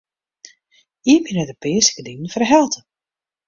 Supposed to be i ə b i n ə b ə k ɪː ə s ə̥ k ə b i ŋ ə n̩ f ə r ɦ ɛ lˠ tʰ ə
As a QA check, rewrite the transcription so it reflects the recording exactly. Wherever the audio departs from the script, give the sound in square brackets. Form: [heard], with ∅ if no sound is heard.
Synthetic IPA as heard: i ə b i n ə [d] ə [p] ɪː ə s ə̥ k ə [d] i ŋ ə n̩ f ə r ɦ ɛ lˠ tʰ ə